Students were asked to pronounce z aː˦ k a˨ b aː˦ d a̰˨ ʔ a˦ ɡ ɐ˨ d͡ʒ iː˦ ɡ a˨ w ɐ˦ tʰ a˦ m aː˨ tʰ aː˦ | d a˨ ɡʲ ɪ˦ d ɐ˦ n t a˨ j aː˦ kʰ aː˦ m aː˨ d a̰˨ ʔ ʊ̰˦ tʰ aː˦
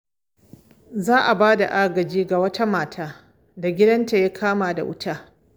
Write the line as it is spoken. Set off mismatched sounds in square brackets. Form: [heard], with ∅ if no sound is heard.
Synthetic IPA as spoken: z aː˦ [ʔ] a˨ b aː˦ d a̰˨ ʔ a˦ ɡ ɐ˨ d͡ʒ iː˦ ɡ a˨ w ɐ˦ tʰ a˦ m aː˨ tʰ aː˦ | d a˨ ɡʲ ɪ˦ d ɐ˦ n t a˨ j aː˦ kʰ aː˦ m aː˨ d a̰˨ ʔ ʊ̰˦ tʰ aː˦